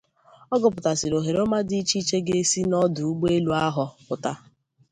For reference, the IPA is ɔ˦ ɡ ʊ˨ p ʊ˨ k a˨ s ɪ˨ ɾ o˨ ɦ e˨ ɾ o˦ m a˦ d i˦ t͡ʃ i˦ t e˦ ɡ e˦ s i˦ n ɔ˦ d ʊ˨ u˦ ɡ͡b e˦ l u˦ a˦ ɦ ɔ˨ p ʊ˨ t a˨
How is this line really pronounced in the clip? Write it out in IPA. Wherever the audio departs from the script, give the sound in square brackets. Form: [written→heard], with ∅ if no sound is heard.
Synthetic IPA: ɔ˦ ɡ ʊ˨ p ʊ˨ [k→t] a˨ s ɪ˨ ɾ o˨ ɦ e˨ ɾ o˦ m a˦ d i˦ t͡ʃ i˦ [t→t͡ʃ] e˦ ɡ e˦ s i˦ n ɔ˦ d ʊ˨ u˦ ɡ͡b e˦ l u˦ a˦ ɦ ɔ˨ p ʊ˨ t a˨

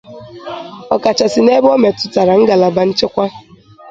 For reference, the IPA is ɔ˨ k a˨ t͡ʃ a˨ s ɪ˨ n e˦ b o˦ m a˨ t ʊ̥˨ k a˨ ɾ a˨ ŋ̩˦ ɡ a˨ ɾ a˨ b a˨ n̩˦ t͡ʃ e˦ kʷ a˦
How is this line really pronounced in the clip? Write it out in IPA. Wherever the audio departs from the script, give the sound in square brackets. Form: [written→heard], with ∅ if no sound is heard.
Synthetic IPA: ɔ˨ k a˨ t͡ʃ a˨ s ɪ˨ n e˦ b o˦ m [a˨→e˨] t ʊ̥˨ [k→t] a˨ ɾ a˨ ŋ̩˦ ɡ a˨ [ɾ→l] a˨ b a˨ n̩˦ t͡ʃ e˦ kʷ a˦

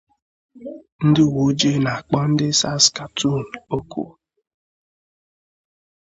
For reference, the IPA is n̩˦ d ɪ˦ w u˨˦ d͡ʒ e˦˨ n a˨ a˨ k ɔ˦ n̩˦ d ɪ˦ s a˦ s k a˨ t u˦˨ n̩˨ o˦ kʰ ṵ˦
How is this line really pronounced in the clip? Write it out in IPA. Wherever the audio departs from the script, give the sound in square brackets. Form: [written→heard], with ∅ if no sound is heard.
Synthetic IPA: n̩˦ d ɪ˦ w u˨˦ d͡ʒ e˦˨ n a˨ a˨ [k→k͡p] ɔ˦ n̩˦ d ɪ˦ s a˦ s k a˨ t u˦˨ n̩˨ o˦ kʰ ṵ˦

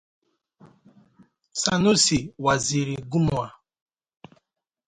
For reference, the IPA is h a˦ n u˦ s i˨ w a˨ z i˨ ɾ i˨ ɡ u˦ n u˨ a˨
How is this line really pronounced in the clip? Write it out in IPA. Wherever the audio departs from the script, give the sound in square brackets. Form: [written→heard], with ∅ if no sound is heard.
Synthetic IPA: [h→s] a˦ n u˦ s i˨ w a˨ z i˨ ɾ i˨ ɡ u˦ [n→m] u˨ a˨

